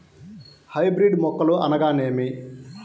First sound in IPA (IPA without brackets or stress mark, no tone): h